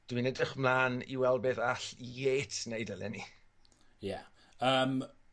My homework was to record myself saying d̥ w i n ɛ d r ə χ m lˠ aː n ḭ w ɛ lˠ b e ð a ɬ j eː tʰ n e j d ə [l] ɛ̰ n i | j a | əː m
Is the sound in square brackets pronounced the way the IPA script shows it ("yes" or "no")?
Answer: yes